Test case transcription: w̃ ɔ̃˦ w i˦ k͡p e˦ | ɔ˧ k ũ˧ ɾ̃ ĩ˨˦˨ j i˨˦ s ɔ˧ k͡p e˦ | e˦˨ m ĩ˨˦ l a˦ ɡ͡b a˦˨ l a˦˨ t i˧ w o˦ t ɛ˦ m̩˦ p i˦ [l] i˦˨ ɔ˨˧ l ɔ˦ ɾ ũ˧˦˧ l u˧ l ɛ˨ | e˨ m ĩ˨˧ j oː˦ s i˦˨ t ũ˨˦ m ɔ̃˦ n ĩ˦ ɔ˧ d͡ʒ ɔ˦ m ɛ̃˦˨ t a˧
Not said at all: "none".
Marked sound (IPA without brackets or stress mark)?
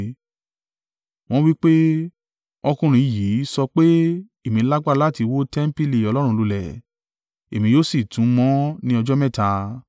l